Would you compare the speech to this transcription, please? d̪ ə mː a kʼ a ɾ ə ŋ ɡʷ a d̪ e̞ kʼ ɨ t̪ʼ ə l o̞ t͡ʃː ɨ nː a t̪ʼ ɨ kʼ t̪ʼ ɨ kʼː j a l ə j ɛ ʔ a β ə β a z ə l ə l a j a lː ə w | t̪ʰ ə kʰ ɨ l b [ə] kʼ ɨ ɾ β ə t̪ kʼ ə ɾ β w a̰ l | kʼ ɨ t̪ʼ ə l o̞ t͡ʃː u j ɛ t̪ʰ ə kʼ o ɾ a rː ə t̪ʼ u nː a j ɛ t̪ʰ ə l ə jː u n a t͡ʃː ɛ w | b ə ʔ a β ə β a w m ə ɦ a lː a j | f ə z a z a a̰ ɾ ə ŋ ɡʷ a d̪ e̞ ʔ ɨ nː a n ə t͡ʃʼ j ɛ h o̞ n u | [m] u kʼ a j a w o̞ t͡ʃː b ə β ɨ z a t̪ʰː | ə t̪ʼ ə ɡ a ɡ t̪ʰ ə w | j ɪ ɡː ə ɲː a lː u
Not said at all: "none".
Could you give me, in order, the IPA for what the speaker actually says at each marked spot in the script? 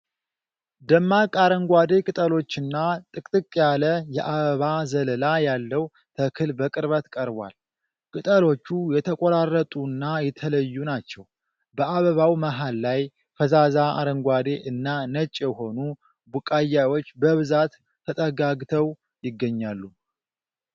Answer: ə, b

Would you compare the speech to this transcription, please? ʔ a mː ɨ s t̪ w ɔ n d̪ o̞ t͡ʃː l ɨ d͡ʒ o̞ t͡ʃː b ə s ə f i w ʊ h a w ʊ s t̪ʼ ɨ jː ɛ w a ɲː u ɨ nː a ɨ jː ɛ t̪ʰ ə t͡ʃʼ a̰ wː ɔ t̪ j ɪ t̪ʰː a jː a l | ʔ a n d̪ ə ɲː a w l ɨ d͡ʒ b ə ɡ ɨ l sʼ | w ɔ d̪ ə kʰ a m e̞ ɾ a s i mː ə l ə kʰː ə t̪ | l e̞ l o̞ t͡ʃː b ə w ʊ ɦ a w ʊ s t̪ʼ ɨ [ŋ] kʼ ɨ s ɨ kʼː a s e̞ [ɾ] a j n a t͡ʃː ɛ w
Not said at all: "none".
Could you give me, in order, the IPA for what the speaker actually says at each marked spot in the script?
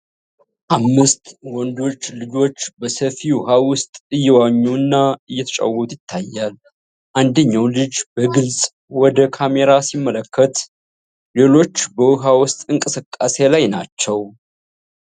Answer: ŋ, l

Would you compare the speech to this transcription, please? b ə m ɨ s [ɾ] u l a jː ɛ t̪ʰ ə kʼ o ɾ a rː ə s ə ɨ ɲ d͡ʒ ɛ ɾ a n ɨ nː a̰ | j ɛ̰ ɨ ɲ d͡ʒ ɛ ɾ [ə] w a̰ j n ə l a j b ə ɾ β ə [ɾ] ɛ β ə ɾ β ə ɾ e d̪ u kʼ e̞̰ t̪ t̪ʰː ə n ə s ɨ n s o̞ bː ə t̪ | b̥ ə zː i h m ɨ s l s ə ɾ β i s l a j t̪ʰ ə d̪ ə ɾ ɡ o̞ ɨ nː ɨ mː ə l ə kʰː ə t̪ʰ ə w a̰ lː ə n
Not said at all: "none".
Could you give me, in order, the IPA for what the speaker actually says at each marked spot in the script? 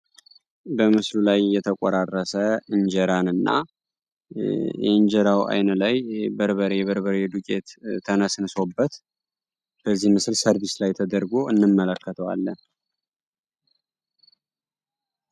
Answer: l, a, ɾ

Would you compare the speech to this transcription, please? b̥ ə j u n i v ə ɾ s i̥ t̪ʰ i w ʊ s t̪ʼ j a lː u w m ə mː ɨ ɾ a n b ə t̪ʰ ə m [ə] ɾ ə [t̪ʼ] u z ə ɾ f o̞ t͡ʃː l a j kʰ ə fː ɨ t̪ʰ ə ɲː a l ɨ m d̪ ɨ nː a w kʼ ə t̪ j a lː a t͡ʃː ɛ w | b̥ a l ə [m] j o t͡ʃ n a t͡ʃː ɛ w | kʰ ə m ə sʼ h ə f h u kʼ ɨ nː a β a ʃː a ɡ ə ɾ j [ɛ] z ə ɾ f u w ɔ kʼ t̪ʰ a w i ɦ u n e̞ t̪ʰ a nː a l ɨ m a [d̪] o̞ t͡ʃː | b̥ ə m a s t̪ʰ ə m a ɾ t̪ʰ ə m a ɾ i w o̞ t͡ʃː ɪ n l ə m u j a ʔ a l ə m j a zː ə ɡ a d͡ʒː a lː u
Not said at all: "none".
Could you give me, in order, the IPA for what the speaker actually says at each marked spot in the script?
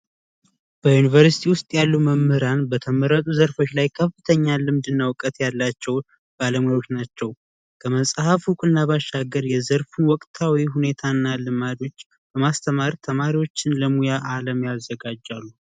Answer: ə, t̪ʼ, m, ɛ, d̪

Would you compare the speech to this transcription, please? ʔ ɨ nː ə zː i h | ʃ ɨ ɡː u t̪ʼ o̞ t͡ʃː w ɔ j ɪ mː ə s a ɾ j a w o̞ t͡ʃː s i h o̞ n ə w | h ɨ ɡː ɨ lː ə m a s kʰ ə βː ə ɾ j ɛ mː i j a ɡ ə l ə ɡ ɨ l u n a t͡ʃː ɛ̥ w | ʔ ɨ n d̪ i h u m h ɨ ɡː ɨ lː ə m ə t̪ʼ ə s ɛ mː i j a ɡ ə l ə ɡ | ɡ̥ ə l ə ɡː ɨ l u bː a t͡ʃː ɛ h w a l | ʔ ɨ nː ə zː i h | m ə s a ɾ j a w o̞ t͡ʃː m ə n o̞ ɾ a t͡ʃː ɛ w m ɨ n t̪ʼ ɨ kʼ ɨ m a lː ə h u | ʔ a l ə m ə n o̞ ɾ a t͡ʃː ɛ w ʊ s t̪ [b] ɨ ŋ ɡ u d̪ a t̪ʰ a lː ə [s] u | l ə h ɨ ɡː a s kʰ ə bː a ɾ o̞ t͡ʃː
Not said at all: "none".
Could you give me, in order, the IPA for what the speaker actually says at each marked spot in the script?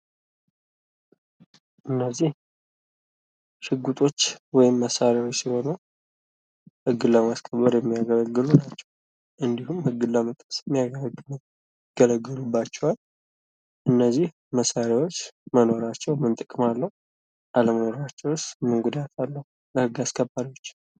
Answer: m, h

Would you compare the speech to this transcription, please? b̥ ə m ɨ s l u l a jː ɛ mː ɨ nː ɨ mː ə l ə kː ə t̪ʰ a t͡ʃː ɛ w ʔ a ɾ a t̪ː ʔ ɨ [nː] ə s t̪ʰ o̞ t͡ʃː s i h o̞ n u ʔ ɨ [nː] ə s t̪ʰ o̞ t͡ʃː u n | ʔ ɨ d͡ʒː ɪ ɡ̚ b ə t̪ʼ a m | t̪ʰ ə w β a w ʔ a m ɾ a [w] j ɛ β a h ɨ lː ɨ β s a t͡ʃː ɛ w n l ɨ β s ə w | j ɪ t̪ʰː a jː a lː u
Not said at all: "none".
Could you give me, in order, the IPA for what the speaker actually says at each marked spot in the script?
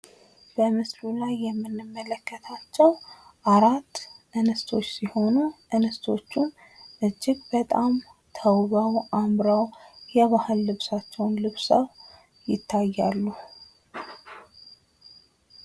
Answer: n, n, w

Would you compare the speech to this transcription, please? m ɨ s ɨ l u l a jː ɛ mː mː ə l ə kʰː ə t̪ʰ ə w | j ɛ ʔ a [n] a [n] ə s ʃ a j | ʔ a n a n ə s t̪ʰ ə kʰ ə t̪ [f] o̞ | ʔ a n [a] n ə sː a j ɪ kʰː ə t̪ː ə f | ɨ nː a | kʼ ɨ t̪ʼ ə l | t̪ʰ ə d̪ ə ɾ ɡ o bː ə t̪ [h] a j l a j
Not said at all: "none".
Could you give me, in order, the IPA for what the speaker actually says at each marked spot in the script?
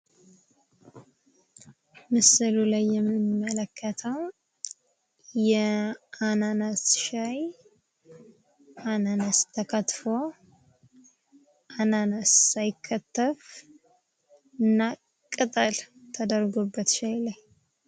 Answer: n, n, f, a, ʃ

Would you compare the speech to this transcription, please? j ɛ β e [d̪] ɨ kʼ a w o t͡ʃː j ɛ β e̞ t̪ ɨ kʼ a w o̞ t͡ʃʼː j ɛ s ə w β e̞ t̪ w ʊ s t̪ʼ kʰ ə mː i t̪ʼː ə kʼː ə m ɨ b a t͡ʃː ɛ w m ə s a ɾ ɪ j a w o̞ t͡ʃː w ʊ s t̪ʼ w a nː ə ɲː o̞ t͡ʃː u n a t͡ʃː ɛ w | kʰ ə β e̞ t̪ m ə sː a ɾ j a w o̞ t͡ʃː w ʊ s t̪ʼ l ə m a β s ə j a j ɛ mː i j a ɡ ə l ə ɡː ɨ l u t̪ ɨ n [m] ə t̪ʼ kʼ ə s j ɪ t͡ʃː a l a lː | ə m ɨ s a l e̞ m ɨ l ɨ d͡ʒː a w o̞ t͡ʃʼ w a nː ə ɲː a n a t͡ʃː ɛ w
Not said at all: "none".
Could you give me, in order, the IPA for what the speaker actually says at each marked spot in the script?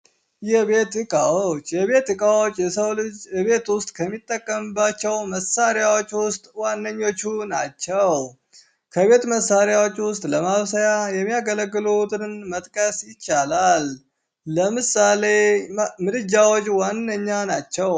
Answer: t̪, m

